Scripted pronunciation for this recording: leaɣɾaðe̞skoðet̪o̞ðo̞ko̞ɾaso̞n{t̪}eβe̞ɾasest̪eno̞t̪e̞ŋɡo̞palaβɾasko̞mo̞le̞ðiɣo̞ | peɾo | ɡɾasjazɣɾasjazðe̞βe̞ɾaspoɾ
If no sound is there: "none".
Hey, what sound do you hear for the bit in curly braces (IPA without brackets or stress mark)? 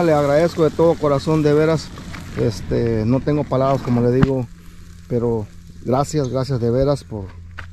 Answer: d̪